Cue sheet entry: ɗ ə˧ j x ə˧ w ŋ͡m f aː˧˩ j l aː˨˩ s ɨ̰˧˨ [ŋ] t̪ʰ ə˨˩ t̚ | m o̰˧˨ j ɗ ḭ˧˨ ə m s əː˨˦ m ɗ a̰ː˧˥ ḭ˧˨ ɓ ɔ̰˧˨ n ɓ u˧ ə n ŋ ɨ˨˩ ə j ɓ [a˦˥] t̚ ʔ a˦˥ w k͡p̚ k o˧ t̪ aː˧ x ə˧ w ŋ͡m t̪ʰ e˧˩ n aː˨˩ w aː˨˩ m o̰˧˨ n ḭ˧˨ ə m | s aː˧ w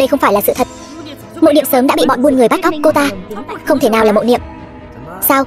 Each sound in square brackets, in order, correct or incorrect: incorrect: none, correct

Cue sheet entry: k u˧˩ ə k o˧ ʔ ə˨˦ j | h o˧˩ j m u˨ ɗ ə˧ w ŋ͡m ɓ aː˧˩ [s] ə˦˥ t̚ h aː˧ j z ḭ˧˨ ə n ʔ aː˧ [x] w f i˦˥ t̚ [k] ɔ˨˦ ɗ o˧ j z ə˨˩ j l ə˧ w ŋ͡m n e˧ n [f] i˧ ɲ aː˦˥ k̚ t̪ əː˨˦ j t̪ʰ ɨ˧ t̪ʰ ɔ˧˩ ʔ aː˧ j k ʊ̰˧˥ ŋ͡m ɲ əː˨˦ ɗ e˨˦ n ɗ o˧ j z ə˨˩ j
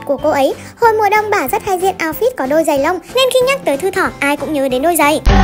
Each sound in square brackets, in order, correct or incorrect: incorrect: z, incorrect: none, correct, incorrect: x

